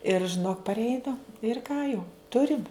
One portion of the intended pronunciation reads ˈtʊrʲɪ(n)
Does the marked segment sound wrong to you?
yes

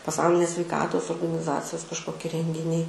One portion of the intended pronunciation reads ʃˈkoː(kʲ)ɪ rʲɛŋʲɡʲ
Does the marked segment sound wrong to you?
no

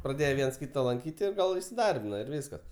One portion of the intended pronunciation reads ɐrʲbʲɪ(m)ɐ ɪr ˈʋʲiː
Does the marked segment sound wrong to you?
yes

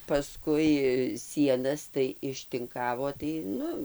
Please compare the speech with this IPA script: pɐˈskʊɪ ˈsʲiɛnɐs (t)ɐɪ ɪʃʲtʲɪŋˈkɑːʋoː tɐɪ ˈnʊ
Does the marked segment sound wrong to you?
no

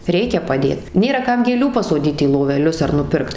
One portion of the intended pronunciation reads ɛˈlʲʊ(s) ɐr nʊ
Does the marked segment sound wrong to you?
no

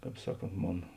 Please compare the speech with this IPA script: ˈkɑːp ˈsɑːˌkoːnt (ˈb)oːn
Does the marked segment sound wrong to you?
yes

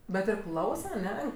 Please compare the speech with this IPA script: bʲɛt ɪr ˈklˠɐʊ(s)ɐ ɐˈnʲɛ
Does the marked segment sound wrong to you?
no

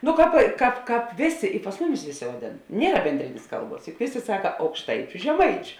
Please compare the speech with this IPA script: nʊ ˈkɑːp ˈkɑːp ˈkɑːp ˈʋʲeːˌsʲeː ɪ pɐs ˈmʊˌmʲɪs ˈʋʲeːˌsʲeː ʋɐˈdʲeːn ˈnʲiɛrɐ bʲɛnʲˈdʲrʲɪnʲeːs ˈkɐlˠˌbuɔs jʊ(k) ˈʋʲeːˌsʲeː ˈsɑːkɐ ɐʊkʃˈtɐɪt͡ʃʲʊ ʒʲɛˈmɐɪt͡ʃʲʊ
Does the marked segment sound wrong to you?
no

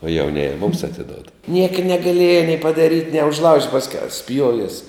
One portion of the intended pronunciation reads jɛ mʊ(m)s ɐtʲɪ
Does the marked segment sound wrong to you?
no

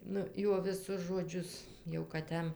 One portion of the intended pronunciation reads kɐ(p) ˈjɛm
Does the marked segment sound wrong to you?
yes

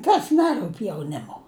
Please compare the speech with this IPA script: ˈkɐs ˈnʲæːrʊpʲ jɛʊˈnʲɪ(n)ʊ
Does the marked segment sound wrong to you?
yes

